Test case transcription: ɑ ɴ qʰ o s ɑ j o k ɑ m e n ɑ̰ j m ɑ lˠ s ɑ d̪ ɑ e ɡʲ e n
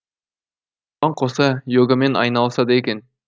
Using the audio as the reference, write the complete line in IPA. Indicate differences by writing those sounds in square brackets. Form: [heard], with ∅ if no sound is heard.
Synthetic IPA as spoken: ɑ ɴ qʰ o s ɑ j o [ɡ] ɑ m e n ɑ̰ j [n] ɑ lˠ s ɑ d̪ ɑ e [kʲ] e n